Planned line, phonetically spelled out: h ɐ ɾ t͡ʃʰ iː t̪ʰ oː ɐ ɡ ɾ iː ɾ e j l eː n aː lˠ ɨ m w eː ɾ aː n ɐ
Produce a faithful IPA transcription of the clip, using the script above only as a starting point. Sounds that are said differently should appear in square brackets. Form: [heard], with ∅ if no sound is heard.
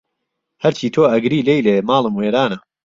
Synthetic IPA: h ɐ ɾ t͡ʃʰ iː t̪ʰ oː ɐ ɡ ɾ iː [l] e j l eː [m] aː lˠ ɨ m w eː ɾ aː n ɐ